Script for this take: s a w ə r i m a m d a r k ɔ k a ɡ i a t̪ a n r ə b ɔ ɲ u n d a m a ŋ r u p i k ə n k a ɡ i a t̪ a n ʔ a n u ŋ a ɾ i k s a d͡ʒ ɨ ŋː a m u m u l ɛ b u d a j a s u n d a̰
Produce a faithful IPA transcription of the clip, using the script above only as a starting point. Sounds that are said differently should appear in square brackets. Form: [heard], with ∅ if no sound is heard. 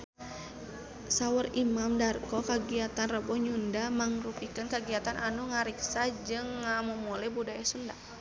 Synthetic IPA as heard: s a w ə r i m a m d a r k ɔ k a ɡ i a t̪ a n r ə b ɔ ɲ u n d a m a ŋ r u p i k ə n k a ɡ i a t̪ a n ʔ a n u ŋ a ɾ i k s a d͡ʒ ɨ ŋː a m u m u l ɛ b u d a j a s u n d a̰